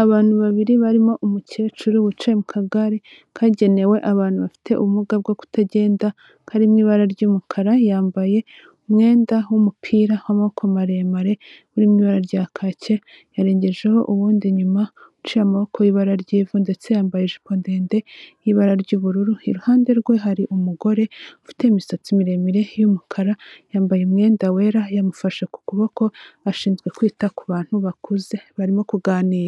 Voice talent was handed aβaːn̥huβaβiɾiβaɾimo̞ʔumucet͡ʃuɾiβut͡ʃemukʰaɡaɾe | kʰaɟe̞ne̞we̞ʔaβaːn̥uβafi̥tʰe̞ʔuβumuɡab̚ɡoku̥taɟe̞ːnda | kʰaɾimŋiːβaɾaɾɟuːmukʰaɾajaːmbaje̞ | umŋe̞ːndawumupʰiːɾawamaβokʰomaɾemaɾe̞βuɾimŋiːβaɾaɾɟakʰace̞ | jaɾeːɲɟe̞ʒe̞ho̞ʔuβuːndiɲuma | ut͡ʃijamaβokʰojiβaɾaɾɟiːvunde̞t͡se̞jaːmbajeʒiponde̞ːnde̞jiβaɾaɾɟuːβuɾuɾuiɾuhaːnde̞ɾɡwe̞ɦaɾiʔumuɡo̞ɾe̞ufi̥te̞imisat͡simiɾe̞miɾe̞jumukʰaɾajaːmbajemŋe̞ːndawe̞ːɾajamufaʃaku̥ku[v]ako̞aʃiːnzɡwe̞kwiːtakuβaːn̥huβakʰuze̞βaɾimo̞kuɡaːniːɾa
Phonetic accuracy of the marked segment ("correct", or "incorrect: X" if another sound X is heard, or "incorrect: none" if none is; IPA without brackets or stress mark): incorrect: β